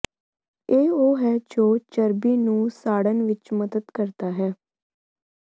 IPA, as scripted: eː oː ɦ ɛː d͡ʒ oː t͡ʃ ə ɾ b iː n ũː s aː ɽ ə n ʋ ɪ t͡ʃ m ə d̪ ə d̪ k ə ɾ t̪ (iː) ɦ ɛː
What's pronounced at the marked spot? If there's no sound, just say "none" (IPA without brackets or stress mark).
aː